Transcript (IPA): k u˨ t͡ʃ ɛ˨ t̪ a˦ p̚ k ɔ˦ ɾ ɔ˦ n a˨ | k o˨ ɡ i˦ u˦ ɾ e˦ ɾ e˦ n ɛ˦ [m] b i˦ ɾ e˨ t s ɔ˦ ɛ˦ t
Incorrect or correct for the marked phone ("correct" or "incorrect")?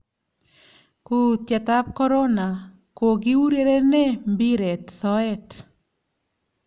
correct